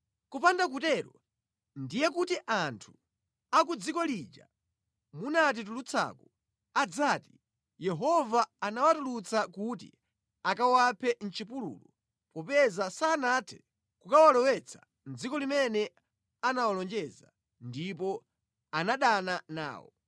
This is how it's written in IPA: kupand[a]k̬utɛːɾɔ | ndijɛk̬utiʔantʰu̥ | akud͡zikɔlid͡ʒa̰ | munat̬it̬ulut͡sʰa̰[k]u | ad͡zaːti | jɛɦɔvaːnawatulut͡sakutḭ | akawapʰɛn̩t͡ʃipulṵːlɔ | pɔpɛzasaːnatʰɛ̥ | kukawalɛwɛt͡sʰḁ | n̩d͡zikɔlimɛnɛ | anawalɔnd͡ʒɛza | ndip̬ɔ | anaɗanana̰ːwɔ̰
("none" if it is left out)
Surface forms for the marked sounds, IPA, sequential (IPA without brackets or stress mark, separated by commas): a, k